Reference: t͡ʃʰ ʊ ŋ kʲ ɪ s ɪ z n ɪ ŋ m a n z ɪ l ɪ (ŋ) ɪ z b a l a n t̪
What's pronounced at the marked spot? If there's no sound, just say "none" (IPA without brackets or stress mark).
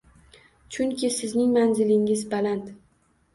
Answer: ŋ